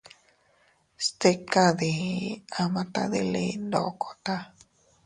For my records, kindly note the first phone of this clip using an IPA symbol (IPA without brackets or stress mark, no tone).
s